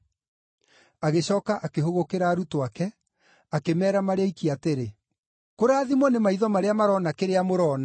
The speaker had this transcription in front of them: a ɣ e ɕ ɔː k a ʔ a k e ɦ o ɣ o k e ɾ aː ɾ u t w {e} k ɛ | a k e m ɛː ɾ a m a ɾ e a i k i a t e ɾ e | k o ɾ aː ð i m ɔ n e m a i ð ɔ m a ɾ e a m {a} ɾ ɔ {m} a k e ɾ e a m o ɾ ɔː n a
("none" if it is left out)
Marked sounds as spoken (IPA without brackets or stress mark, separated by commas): a, a, n